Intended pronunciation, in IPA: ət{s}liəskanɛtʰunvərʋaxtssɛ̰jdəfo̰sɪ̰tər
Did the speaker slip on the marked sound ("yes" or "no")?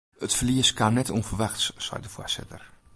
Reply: yes